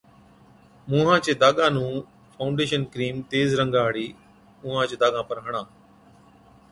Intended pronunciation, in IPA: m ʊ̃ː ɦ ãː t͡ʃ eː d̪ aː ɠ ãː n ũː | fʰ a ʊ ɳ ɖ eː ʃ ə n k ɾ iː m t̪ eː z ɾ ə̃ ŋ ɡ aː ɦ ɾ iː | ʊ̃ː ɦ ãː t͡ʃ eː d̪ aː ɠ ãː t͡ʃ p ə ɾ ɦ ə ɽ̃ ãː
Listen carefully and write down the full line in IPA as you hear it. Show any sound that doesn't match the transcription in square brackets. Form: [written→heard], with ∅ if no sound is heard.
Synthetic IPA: m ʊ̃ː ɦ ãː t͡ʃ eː d̪ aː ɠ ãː n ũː | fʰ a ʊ ɳ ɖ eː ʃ ə n k ɾ iː m t̪ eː z ɾ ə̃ ŋ ɡ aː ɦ [ɾ→ɽ] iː | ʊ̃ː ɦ ãː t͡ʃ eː d̪ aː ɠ ãː [t͡ʃ→∅] p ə ɾ ɦ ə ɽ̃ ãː

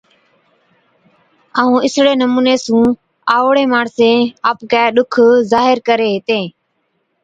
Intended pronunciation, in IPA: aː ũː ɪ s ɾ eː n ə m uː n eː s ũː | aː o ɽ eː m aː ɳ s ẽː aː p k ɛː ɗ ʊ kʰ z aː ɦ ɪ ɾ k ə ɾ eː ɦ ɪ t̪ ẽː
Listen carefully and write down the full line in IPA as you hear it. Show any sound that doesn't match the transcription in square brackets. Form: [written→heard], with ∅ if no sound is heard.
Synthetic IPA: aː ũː ɪ s [ɾ→ɽ] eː n ə m uː n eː s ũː | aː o ɽ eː m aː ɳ s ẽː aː p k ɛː ɗ ʊ kʰ z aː ɦ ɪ ɾ k ə ɾ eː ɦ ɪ t̪ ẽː

